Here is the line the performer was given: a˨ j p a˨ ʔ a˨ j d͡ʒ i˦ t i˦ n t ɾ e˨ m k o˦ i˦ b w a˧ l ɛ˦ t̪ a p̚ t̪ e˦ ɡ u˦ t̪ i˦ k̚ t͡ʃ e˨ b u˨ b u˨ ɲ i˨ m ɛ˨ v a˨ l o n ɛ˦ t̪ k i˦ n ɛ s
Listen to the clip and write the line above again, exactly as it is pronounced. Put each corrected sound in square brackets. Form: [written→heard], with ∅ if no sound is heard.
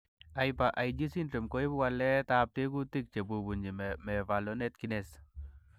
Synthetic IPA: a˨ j p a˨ ʔ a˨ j d͡ʒ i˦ [t→s] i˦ n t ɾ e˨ m k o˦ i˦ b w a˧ l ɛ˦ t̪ a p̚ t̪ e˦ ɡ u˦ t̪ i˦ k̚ t͡ʃ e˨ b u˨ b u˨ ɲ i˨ m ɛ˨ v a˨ l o n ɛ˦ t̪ k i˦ n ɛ s